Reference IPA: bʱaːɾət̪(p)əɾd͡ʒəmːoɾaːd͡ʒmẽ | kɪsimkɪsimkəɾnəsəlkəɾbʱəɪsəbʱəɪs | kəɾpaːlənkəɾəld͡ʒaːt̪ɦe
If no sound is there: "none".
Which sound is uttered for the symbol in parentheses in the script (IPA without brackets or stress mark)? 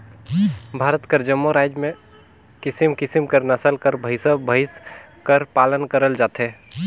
k